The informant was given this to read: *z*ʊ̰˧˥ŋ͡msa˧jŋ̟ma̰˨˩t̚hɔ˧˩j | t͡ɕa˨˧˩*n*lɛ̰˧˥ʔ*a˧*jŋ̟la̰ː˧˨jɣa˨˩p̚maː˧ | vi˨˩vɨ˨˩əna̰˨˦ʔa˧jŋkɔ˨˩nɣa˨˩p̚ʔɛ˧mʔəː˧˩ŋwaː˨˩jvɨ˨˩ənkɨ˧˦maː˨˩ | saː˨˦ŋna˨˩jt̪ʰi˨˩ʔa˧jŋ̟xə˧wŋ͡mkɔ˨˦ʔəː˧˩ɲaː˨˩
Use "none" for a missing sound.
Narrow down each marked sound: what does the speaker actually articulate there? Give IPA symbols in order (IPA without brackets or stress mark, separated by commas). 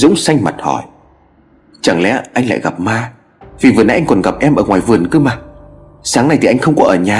z, ŋ, a˧